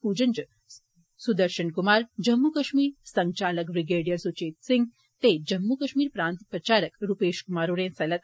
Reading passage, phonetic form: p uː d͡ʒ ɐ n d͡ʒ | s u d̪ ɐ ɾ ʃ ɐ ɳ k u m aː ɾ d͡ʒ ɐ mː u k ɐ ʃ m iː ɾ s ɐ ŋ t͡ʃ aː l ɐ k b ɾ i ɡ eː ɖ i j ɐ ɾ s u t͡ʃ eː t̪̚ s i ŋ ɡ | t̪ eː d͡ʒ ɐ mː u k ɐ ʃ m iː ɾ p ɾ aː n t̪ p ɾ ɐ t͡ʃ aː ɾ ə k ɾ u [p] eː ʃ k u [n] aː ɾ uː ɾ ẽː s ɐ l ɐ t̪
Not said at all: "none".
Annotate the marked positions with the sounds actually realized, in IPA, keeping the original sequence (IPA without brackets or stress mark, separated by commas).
p, m